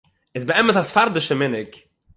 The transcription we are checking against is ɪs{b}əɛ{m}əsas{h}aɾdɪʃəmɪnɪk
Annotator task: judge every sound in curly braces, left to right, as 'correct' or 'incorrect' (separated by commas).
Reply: correct, correct, incorrect